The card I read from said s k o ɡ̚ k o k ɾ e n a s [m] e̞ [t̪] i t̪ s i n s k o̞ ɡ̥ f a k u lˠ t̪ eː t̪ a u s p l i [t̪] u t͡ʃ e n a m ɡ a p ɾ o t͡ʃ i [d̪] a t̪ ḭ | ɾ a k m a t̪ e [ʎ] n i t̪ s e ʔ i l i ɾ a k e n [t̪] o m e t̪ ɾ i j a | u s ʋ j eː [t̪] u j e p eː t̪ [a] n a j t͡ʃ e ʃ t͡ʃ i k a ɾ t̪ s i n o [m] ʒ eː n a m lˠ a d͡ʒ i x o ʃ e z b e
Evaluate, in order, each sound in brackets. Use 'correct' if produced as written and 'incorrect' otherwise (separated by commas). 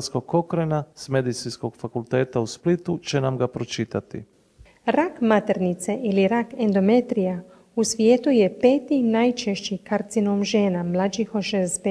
correct, incorrect, correct, incorrect, incorrect, incorrect, correct, incorrect, correct